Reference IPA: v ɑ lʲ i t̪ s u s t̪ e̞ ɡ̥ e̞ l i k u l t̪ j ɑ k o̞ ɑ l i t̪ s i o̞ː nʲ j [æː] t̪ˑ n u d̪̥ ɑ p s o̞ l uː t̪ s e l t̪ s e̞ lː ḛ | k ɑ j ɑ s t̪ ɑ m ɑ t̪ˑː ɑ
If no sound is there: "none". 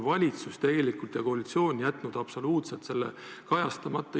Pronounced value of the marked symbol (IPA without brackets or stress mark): æ